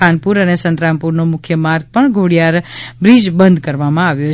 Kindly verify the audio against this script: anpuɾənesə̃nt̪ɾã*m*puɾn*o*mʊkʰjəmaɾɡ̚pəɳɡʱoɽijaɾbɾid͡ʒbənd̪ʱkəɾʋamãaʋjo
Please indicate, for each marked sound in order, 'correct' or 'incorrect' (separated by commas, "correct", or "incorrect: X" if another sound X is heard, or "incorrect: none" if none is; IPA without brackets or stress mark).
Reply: correct, correct